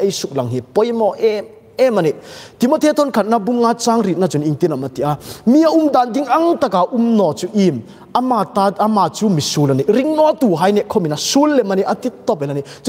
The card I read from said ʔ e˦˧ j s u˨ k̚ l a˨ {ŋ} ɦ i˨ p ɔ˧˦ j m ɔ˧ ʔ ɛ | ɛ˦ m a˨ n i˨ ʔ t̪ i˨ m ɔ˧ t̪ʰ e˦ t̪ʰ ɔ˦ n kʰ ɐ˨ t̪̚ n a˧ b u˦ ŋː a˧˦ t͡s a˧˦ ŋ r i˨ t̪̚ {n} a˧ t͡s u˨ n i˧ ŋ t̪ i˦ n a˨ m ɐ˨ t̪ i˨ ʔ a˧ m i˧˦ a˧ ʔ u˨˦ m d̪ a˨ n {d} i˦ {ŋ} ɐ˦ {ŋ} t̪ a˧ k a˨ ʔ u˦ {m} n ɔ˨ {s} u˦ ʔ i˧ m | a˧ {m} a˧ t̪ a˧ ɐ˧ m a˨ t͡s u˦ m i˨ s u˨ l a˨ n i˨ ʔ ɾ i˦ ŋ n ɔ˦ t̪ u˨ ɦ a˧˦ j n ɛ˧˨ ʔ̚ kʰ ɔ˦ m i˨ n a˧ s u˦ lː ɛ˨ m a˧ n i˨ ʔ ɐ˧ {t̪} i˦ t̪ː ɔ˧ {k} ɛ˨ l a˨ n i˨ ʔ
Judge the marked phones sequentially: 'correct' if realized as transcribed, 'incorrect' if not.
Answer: correct, correct, correct, correct, correct, correct, incorrect: t͡s, correct, correct, incorrect: p

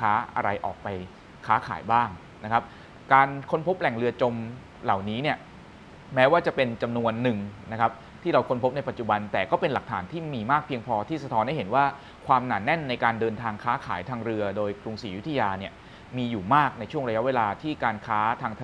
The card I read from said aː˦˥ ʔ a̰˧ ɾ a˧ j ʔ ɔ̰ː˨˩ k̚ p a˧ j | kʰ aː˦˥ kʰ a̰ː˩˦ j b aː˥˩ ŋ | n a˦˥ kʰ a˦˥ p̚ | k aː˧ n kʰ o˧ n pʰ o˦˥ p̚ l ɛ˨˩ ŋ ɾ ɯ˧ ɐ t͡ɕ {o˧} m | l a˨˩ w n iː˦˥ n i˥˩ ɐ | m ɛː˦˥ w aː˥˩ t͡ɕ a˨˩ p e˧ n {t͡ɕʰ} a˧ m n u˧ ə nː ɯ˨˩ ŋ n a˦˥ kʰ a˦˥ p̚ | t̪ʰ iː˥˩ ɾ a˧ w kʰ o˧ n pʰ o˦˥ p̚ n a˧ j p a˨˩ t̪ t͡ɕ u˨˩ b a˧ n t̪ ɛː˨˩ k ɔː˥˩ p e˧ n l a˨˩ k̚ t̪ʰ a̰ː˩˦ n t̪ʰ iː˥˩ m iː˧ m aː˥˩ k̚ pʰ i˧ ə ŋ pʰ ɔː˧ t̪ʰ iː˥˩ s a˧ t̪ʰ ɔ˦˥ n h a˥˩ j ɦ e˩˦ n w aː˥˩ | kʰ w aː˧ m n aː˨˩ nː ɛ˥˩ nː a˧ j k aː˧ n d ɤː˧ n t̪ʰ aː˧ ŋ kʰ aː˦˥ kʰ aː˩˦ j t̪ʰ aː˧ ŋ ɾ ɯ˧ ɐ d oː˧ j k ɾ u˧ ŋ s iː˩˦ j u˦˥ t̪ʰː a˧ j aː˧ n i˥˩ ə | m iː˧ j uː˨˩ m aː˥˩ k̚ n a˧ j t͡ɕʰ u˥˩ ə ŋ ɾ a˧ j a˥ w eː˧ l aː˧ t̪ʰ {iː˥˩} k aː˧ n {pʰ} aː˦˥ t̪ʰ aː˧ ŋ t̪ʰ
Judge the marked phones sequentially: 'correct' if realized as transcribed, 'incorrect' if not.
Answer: correct, incorrect: t͡ɕ, correct, incorrect: kʰ

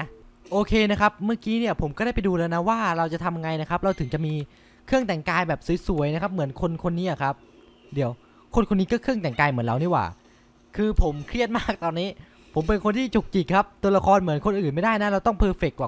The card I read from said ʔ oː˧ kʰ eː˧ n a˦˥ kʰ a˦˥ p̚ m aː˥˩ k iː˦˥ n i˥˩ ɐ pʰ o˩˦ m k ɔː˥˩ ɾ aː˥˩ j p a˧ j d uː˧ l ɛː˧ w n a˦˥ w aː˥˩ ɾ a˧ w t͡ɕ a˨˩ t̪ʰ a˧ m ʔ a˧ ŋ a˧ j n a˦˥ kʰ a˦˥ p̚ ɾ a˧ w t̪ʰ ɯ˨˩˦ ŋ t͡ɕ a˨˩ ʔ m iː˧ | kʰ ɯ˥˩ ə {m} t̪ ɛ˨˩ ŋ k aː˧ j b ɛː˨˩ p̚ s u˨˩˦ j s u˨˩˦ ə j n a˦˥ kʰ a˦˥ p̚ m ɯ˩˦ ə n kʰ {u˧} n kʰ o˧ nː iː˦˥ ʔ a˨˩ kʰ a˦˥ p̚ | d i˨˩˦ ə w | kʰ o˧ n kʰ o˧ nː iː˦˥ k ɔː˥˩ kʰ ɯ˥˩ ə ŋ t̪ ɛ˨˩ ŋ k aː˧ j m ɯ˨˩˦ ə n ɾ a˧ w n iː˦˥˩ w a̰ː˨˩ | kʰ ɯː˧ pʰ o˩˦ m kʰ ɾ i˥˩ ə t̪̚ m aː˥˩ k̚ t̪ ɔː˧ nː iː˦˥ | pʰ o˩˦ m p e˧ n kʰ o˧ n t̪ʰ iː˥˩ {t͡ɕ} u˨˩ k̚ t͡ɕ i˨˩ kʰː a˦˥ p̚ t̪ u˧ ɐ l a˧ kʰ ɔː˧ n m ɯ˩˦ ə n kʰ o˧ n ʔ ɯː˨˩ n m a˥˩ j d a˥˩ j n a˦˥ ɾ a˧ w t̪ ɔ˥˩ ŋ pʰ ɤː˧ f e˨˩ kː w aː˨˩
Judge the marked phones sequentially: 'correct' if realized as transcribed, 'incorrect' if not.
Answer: incorrect: ŋ, incorrect: o˧, correct

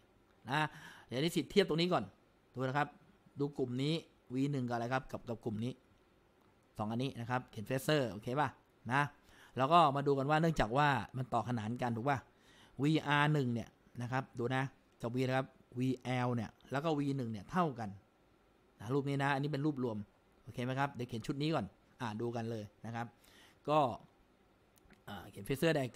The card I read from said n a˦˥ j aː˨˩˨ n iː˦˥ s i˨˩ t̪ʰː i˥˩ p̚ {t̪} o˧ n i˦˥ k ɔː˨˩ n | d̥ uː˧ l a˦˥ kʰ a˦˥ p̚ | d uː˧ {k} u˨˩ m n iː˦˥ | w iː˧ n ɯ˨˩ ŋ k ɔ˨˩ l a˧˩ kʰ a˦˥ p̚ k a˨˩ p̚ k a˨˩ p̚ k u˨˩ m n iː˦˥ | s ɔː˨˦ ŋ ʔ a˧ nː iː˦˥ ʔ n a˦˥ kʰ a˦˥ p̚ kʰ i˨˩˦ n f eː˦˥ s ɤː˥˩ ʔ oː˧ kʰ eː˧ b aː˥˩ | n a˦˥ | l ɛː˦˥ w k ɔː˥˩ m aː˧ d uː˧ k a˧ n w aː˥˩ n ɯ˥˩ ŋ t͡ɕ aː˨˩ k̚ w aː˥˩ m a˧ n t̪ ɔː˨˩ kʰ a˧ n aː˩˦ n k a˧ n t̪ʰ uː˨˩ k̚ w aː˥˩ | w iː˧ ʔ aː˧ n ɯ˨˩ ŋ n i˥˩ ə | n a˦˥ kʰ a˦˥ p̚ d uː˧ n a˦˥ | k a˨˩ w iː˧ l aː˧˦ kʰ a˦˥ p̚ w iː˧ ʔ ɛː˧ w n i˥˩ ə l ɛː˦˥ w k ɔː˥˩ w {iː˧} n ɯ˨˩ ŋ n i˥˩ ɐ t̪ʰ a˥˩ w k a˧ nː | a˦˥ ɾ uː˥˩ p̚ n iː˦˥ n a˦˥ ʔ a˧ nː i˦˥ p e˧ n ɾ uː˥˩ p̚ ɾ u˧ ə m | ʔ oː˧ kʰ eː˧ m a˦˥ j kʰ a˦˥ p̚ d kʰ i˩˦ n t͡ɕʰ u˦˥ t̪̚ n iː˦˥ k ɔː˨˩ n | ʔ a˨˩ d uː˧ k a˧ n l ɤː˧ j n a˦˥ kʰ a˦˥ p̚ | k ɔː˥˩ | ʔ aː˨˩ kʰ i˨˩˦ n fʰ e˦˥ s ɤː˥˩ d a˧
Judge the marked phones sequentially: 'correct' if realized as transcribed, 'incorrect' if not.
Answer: correct, correct, correct

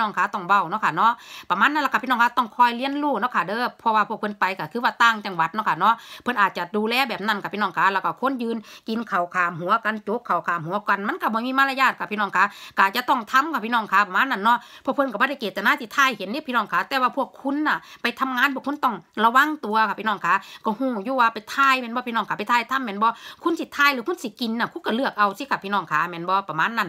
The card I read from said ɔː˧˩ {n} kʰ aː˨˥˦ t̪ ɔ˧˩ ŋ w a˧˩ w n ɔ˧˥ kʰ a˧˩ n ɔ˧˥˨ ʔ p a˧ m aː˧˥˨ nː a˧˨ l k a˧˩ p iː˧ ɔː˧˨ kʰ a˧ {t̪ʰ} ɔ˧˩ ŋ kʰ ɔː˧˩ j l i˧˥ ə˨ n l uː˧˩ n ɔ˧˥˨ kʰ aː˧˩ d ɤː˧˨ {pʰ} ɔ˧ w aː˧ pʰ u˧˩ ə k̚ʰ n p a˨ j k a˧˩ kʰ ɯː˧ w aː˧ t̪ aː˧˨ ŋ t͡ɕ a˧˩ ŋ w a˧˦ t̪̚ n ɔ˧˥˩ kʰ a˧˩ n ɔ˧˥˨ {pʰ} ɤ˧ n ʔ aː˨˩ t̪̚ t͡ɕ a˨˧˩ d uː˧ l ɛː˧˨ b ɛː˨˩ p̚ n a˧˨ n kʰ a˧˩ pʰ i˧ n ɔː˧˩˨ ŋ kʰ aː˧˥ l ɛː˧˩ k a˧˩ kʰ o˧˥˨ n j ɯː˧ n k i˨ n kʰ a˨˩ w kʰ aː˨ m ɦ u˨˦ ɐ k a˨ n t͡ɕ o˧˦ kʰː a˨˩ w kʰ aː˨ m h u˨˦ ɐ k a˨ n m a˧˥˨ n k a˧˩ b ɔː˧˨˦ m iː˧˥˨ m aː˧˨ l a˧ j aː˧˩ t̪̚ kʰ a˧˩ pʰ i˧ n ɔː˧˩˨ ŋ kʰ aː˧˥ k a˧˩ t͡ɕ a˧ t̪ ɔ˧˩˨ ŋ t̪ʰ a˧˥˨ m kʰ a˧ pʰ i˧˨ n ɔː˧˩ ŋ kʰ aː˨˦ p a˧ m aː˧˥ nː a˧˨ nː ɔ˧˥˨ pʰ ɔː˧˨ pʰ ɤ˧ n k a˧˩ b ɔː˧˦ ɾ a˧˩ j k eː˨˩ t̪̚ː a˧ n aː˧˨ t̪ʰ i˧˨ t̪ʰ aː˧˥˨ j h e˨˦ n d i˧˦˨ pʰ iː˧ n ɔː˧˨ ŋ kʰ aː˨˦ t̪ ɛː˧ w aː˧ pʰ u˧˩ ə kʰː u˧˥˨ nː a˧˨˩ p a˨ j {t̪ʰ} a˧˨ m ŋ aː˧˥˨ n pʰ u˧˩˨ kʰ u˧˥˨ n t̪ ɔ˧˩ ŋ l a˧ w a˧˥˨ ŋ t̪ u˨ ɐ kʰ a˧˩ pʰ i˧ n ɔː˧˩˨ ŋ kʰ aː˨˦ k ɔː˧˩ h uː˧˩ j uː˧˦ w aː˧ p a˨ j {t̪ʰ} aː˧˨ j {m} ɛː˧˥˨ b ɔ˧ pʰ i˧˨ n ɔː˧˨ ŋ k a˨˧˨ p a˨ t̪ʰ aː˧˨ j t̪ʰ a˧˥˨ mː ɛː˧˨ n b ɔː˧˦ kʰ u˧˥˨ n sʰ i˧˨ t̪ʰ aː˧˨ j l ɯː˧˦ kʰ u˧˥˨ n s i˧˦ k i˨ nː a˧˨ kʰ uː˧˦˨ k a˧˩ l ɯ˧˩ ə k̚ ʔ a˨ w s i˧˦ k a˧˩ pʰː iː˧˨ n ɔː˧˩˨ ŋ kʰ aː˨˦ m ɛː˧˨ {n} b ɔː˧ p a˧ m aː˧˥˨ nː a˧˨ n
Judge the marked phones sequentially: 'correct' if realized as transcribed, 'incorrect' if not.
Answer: incorrect: ŋ, incorrect: t̪, correct, correct, correct, correct, correct, correct

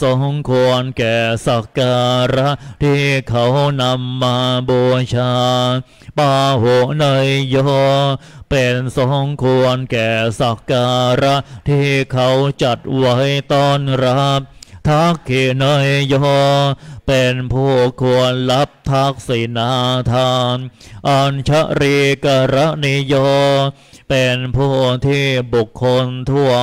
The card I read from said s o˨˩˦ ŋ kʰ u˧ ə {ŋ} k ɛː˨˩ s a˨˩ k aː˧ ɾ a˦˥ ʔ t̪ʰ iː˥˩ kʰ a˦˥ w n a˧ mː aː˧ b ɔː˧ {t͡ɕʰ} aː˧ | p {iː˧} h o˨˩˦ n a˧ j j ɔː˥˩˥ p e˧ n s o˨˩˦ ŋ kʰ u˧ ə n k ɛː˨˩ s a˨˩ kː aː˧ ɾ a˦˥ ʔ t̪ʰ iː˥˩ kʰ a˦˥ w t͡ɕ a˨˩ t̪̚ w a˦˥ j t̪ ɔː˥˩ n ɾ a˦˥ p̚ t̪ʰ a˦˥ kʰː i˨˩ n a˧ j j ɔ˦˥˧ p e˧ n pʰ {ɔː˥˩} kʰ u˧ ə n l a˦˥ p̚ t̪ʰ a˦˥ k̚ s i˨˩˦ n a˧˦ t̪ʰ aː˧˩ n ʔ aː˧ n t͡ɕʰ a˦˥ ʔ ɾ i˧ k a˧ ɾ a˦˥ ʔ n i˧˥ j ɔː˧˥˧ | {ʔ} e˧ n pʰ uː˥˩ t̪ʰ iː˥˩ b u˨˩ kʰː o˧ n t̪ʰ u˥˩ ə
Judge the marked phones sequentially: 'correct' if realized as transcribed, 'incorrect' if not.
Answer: incorrect: n, correct, incorrect: aː˧, incorrect: uː˥˩, incorrect: p

